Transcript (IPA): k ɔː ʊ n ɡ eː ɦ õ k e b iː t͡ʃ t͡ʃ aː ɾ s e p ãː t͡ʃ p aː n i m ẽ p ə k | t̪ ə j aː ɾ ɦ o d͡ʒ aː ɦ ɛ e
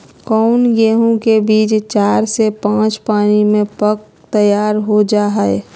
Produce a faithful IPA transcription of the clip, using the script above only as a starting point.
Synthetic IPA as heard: k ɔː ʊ n ɡ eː ɦ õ k e b iː t͡ʃ t͡ʃ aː ɾ s e p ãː t͡ʃ p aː n i m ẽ p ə k | t̪ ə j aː ɾ ɦ o d͡ʒ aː ɦ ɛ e

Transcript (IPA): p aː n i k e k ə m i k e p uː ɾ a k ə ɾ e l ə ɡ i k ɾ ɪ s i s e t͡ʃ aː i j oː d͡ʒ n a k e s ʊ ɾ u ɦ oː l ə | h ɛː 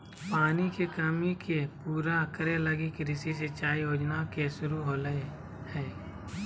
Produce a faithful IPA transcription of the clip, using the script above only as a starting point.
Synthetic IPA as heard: p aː n i k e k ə m i k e p uː ɾ a k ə ɾ e l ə ɡ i k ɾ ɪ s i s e t͡ʃ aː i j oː d͡ʒ n a k e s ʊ ɾ u ɦ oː l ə | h ɛː

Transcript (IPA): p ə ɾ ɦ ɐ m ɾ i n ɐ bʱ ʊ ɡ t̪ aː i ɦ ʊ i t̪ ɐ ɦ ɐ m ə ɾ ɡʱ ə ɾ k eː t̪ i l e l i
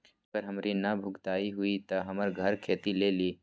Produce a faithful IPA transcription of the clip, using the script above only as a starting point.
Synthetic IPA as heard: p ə ɾ ɦ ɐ m ɾ i n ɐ bʱ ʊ ɡ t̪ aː i ɦ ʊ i t̪ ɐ ɦ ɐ m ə ɾ ɡʱ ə ɾ kʰ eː t̪ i l e l i

